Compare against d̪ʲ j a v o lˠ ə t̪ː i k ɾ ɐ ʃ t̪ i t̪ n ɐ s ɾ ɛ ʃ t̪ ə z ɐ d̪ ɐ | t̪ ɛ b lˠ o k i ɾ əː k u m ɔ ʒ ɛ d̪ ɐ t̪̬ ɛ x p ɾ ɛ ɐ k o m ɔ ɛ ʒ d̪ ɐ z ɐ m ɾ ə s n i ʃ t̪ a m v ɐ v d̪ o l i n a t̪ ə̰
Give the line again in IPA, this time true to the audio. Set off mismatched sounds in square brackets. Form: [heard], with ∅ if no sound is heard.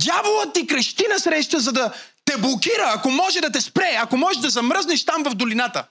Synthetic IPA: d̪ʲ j a v o lˠ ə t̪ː i k ɾ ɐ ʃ t̪ i [∅] n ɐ s ɾ ɛ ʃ t̪ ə z ɐ d̪ ɐ | t̪ ɛ b lˠ o k i ɾ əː k [o] m ɔ ʒ ɛ d̪ ɐ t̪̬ ɛ [s] p ɾ ɛ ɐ k o m ɔ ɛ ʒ d̪ ɐ z ɐ m ɾ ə [z] n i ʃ t̪ a m v ɐ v d̪ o l i n a t̪ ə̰